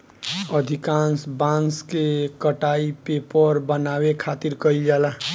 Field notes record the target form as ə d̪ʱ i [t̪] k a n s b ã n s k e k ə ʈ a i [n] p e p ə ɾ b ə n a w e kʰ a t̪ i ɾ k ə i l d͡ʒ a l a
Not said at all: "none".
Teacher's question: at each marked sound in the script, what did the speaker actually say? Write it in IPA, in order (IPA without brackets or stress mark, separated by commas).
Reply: none, none